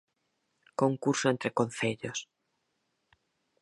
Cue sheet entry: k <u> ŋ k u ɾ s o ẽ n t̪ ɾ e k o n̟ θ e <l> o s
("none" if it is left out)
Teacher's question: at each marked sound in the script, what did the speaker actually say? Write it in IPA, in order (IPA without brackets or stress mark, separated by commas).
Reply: o, ʎ